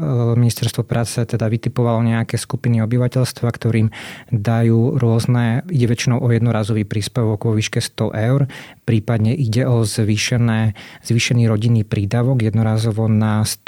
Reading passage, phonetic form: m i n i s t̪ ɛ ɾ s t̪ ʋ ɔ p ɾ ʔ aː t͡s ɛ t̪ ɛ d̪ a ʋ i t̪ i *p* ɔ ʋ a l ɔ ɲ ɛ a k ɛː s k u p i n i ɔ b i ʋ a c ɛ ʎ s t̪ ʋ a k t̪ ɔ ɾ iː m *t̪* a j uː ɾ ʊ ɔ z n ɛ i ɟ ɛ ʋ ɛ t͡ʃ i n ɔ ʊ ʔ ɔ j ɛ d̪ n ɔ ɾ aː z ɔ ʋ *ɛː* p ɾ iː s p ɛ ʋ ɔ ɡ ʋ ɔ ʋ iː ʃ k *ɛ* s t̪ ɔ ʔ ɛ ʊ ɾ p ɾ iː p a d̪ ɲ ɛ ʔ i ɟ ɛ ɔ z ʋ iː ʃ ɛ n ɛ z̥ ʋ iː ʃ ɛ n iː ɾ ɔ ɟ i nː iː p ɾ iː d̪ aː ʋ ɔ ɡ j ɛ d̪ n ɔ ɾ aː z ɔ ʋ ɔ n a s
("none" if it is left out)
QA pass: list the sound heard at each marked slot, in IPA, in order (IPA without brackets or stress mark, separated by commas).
p, d̪, iː, ɛ